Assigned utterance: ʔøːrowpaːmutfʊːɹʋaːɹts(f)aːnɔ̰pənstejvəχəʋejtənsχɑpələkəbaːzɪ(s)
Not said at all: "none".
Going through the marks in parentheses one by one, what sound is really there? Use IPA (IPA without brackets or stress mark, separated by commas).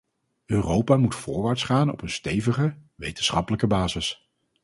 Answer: χ, s